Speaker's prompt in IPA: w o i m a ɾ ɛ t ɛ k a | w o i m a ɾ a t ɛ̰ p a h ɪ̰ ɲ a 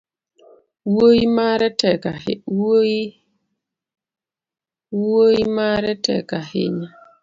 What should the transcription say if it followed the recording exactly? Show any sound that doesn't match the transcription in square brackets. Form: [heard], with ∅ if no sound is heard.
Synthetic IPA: w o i m a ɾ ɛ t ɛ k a | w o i m a ɾ [ɛ] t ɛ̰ [k] a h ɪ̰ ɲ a

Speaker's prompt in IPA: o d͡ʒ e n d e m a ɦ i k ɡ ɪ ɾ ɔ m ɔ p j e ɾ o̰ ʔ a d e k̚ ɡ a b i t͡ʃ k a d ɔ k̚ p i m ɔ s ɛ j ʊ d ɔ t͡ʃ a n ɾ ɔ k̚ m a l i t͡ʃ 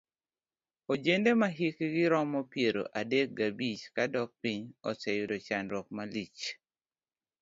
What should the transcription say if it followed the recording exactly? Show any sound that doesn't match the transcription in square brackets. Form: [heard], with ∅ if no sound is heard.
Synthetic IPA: o d͡ʒ e n d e m a ɦ i k ɡ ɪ ɾ ɔ m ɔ p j e ɾ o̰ ʔ a d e k̚ ɡ a b i t͡ʃ k a d ɔ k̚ p i [ɲ] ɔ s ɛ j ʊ d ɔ t͡ʃ a n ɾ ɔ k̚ m a l i t͡ʃ

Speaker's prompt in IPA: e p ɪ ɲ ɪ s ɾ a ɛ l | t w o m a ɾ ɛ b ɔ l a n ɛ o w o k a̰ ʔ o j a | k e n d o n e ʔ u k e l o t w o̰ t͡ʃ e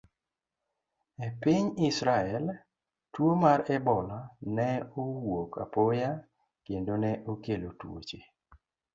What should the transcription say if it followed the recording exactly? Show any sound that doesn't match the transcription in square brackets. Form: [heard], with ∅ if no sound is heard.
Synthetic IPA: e p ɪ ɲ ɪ s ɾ a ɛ l | t w o m a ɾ ɛ b ɔ l a n ɛ o w o k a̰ [p] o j a | k e n d o n [ɛ] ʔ [o] k e l o t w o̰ t͡ʃ e

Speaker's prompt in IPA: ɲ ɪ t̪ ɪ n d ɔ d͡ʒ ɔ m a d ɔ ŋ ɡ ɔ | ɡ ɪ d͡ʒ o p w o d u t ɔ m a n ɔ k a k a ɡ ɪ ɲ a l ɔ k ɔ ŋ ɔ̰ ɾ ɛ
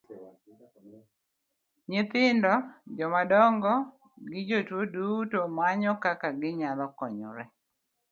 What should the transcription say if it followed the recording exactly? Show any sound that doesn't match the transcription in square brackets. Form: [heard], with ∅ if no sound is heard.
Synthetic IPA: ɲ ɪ t̪ ɪ n d ɔ d͡ʒ ɔ m a d ɔ ŋ ɡ ɔ | ɡ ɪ d͡ʒ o [t] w o d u t [o] m a [ɲ] ɔ k a k a ɡ ɪ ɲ a l ɔ k ɔ [ɲ] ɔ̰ ɾ ɛ

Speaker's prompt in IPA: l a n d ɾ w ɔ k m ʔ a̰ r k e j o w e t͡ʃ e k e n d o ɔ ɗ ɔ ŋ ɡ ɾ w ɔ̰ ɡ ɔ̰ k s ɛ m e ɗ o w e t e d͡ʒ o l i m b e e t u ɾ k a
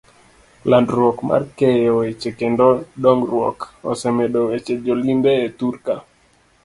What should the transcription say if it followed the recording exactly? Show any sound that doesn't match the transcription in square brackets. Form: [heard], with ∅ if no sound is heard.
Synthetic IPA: l a n d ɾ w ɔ k m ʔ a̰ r k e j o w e t͡ʃ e k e n d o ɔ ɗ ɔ ŋ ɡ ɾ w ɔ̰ [k] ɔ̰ [∅] s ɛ m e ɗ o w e [t͡ʃ] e d͡ʒ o l i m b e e t u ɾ k a

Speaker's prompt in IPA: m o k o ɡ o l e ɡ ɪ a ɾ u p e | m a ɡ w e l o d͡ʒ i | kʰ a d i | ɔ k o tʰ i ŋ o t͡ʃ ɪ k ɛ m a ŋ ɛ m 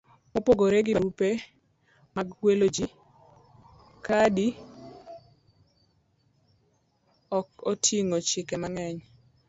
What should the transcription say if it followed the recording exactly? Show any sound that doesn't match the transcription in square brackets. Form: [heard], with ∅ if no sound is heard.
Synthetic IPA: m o [p] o ɡ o [ɾ] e ɡ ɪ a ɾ u p e | m a ɡ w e l o d͡ʒ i | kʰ a d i | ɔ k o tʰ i ŋ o t͡ʃ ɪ k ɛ m a ŋ ɛ [ɲ]

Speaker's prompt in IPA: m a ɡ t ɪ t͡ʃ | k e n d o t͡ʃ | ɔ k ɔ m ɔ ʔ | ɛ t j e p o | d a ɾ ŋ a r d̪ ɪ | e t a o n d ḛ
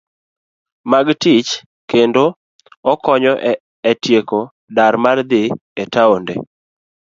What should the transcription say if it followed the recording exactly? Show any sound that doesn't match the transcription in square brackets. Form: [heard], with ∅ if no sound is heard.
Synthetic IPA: m a ɡ t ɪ t͡ʃ | k e n d o [∅] | ɔ k ɔ [ɲ] ɔ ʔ | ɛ t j e [k] o | d a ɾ [m] a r d̪ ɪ | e t a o n d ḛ

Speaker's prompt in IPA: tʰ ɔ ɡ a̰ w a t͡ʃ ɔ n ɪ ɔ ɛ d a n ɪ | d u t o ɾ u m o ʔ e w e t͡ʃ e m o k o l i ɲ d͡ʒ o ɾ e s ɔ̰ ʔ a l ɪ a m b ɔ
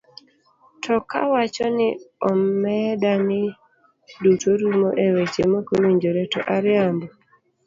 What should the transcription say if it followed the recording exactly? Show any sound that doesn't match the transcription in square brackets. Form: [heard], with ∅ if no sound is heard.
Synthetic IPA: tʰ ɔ [k] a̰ w a t͡ʃ ɔ n ɪ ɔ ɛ d a n ɪ | d u t o ɾ u m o ʔ e w e t͡ʃ e m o k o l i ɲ d͡ʒ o ɾ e [t] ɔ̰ ʔ a [ɾ] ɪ a m b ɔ

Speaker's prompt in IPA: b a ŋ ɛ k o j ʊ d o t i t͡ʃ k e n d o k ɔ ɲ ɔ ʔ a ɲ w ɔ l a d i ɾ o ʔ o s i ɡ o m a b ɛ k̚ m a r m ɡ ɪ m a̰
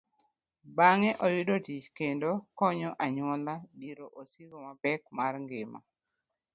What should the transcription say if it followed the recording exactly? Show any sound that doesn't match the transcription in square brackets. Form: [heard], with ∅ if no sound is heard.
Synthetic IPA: b a ŋ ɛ [ʔ] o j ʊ d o t i t͡ʃ k e n d o k ɔ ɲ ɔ ʔ a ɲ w ɔ l a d i ɾ o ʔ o s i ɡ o m a b ɛ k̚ m a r [ŋ] ɡ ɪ m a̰

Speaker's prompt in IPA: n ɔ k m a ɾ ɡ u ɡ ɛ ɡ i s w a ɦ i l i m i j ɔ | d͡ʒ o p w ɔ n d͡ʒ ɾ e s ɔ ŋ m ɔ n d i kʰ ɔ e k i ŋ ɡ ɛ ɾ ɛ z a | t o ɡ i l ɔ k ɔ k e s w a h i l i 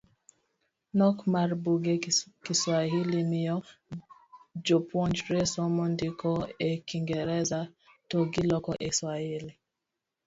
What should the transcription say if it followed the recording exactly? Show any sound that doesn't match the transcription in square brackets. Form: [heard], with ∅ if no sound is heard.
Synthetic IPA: n ɔ k m a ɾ [b] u ɡ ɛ [k] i s w a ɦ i l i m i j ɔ | d͡ʒ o p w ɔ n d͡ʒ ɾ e s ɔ [∅] m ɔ n d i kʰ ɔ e k i ŋ ɡ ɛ ɾ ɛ z a | t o ɡ i l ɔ k ɔ [ʔ] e s w a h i l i

